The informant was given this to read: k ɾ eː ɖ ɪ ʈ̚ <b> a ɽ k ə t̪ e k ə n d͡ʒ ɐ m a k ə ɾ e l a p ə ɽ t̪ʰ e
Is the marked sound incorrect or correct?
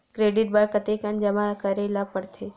correct